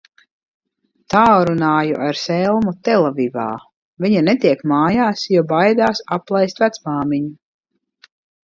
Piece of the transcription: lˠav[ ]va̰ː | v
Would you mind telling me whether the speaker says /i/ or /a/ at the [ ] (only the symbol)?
i